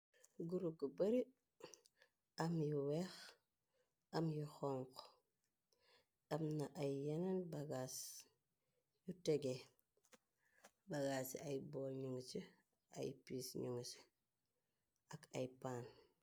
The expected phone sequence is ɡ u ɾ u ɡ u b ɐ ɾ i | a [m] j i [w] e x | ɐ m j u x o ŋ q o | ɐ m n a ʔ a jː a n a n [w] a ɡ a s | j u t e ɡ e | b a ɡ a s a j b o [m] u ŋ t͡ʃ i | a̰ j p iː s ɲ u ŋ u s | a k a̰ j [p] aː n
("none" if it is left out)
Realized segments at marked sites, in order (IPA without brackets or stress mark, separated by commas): m, w, b, ɲ, p